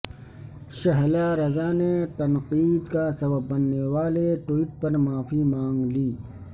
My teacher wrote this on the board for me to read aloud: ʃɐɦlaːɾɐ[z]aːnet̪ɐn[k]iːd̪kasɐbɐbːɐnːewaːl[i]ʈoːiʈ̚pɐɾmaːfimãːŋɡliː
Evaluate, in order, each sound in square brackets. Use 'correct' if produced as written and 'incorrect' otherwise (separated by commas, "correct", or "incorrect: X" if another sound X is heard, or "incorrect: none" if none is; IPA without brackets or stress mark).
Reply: correct, incorrect: q, incorrect: e